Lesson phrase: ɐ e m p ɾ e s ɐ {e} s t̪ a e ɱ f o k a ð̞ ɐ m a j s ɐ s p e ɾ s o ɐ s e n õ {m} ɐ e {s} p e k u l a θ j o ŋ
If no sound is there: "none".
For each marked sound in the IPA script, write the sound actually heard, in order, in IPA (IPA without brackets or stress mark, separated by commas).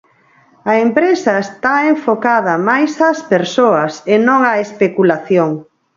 e, ŋ, s